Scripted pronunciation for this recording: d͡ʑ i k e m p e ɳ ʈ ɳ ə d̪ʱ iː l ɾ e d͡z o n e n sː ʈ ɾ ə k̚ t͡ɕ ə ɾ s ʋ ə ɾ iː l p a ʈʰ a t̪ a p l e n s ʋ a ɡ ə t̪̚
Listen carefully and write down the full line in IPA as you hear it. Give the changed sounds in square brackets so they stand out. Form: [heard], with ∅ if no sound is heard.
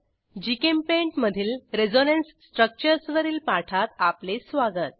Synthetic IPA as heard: d͡ʑ i k e m p e ɳ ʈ [m] ə d̪ʱ iː l ɾ e d͡z o n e n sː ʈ ɾ ə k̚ t͡ɕ ə ɾ s ʋ ə ɾ iː l p a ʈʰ a t̪ a p l e [∅] s ʋ a ɡ ə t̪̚

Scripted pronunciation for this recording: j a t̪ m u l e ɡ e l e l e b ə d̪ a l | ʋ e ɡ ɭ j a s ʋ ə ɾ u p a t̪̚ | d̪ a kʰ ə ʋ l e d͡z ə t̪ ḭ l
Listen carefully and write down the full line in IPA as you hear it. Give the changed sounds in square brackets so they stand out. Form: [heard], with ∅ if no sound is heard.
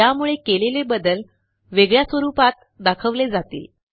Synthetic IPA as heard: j a [∅] m u [ɭ] e [k] e l e l e b ə d̪ [ə] l | ʋ e ɡ ɭ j a s ʋ ə ɾ u p a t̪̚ | d̪ a kʰ ə ʋ l e d͡z [a] t̪ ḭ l

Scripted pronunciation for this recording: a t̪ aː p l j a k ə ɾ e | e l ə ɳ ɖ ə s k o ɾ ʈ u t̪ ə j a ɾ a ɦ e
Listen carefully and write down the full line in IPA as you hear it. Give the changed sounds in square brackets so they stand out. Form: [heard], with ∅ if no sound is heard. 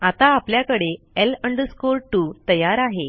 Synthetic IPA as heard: a t̪ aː p l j a k ə [ɽ] e | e l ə ɳ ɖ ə s k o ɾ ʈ u t̪ ə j a ɾ a ɦ e

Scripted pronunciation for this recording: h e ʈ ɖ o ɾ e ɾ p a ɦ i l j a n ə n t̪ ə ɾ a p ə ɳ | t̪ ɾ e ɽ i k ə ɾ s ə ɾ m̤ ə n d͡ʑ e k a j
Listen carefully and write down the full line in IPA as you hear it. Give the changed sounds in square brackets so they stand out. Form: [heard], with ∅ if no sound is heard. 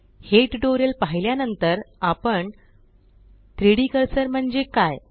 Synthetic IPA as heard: h e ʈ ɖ o ɾ e [l] p a ɦ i l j a n ə n t̪ ə ɾ a p ə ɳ | t̪ ɾ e ɽ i k ə ɾ s ə ɾ m̤ ə [ɳ] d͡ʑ e k a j

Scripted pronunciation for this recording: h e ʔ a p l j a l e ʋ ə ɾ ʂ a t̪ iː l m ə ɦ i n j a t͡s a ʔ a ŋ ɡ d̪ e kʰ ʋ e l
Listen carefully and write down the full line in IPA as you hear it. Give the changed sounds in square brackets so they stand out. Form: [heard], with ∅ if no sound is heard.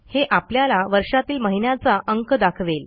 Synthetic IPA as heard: h e ʔ a p l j a l [a] ʋ ə ɾ ʂ a t̪ iː l m ə ɦ i n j a t͡s a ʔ [ə] ŋ [k] d̪ [a] kʰ ʋ e l

